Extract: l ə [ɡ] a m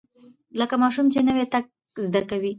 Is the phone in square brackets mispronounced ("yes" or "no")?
yes